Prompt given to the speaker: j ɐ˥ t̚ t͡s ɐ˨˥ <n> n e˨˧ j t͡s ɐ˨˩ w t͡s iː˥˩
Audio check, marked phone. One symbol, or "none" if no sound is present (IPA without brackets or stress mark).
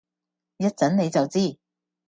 n